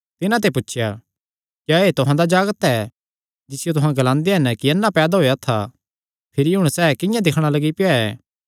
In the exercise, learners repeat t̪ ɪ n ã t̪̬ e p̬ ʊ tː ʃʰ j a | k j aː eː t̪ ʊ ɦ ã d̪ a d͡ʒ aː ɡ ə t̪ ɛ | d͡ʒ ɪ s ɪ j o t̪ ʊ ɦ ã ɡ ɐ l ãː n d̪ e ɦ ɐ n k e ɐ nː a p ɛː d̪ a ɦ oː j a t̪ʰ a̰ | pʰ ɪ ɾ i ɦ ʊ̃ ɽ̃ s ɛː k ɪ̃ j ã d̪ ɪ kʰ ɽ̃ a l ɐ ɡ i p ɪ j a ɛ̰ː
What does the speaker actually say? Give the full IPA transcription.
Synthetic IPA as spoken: t̪ ɪ n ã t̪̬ e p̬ ʊ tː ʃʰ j a | k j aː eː t̪ ʊ ɦ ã d̪ a d͡ʒ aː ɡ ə t̪ ɛ | d͡ʒ ɪ s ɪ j o t̪ ʊ ɦ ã ɡ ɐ l ãː n d̪ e ɦ ɐ n k i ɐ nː a p ɛː d̪ a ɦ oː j a t̪ʰ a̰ | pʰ ɪ ɾ i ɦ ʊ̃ ɽ̃ s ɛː k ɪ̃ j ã d̪ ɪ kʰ ɽ̃ a l ɐ ɡ i p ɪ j a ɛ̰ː